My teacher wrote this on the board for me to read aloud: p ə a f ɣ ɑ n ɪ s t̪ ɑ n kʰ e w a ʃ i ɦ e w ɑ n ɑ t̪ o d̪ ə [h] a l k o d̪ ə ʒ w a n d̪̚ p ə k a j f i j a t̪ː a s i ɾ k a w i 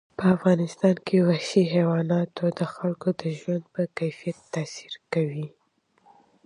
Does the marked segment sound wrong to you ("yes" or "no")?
yes